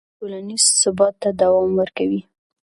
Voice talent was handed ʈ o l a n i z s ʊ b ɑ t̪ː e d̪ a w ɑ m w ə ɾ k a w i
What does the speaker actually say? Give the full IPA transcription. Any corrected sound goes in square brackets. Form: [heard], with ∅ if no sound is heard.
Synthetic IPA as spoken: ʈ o l a n i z s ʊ b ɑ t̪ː [a] d̪ a w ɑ m w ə ɾ k a w i